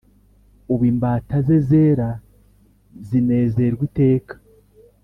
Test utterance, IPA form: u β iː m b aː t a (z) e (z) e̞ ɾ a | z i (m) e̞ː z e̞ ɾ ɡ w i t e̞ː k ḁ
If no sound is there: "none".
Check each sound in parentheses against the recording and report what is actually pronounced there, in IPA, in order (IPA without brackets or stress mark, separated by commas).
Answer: z, z, n